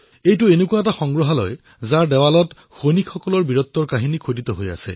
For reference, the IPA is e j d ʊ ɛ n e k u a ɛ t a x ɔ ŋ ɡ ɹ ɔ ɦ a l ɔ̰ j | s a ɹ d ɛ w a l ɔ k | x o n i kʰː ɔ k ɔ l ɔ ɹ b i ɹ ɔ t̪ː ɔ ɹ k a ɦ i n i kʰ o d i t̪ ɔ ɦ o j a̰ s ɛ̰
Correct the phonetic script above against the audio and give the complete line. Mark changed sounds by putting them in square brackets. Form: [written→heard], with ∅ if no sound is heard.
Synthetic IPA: e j [d→t] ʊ [ɛ→e] n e k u a ɛ t a x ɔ ŋ ɡ ɹ ɔ ɦ a l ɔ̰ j | [s→z] a ɹ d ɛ w a l ɔ [k→t] | x o n i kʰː ɔ k ɔ l ɔ ɹ b i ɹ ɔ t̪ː ɔ ɹ k a ɦ i n i kʰ o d i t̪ ɔ ɦ o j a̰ s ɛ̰